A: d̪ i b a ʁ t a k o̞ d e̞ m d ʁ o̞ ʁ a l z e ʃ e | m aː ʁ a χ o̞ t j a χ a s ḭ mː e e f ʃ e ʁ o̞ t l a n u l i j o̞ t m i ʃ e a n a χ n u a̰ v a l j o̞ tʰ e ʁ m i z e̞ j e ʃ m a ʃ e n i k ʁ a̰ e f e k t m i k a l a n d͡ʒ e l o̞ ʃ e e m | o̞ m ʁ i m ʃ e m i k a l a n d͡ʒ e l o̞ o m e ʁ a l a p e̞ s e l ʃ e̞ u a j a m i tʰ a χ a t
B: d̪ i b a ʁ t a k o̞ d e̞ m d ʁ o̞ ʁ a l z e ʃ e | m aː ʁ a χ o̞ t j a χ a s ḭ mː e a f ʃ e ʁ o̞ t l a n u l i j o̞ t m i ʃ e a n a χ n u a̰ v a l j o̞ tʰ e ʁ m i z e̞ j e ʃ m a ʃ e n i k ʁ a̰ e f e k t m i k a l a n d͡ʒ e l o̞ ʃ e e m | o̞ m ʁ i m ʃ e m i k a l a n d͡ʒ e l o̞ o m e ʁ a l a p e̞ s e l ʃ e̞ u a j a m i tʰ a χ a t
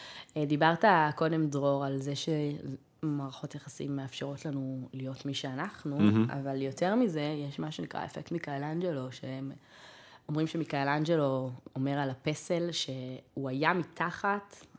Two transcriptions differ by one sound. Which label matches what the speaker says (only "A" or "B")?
B